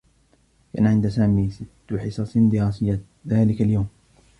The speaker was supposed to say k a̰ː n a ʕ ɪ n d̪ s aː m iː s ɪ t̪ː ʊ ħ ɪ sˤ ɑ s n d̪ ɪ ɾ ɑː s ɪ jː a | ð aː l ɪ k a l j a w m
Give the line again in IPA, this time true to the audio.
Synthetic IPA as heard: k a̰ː n a ʕ ɪ n d̪ s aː m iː s ɪ t̪ː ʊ ħ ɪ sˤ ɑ s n d̪ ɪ ɾ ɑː s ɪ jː a | ð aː l ɪ k a l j a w m